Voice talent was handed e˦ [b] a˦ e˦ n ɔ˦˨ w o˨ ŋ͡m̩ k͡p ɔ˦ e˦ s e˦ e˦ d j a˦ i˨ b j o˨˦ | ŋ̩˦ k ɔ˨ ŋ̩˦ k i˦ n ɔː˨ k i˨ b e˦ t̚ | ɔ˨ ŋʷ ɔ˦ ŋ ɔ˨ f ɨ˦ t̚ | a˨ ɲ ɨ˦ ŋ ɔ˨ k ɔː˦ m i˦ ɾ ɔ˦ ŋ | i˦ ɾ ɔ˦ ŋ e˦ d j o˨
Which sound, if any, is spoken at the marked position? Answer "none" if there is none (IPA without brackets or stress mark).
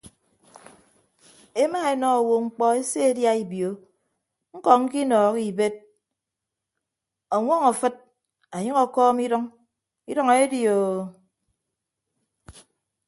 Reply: m